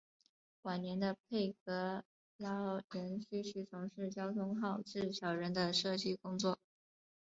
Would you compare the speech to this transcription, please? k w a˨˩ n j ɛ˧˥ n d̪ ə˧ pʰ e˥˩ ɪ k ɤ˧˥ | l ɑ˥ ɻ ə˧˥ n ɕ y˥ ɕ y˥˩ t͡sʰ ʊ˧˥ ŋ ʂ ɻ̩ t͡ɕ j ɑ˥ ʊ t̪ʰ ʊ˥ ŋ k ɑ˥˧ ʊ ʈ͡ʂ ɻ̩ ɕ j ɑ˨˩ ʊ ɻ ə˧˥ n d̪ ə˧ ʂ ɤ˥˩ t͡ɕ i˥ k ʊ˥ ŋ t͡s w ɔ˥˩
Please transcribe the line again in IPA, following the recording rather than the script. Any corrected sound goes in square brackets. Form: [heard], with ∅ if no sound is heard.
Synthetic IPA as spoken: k w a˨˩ n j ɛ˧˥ n d̪ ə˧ pʰ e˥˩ ɪ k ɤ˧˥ | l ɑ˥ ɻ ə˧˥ n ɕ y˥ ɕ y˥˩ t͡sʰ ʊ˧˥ ŋ ʂ ɻ̩ t͡ɕ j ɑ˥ ʊ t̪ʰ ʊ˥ ŋ [x] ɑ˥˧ ʊ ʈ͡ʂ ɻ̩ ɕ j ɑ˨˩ ʊ ɻ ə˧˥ n d̪ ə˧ ʂ ɤ˥˩ t͡ɕ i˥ k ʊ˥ ŋ t͡s w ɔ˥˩

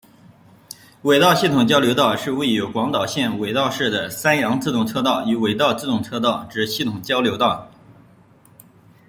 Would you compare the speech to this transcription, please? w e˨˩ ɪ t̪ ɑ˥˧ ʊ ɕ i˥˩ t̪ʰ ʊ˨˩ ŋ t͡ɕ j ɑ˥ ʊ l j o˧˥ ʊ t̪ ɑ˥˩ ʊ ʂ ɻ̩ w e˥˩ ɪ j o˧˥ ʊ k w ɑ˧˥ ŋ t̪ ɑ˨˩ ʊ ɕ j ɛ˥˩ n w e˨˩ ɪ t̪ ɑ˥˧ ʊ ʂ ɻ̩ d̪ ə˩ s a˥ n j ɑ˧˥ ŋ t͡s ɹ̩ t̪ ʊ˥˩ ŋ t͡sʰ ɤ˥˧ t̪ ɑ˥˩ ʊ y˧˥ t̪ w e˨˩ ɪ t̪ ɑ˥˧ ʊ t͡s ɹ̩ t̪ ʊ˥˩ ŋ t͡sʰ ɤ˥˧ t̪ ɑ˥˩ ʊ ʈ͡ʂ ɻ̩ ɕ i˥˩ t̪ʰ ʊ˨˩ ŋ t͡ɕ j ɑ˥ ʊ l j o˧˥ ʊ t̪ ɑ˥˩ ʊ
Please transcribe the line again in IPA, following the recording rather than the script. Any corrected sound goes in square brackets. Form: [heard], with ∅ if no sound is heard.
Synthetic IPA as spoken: w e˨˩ ɪ t̪ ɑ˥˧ ʊ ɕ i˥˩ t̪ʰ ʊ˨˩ ŋ t͡ɕ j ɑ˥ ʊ l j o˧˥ ʊ t̪ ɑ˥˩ ʊ ʂ ɻ̩ w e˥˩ ɪ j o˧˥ ʊ k w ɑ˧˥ ŋ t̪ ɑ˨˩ ʊ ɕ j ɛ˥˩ n w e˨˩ ɪ t̪ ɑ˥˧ ʊ ʂ ɻ̩ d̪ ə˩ s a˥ n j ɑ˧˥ ŋ t͡s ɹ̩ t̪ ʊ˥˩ ŋ t͡sʰ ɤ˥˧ t̪ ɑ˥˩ ʊ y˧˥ [∅] w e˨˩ ɪ t̪ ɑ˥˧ ʊ t͡s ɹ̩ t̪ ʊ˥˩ ŋ t͡sʰ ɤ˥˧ t̪ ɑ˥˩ ʊ ʈ͡ʂ ɻ̩ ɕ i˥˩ t̪ʰ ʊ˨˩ ŋ t͡ɕ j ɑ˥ ʊ l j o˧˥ ʊ t̪ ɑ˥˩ ʊ

